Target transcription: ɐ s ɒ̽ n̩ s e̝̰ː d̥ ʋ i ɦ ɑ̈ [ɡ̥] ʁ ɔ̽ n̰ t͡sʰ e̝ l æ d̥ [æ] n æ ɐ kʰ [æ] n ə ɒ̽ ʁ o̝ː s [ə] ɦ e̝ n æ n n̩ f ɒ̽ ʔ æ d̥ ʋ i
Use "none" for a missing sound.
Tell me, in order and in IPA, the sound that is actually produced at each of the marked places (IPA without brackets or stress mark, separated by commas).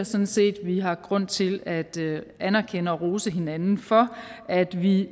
ɡ̥, æ, e, ə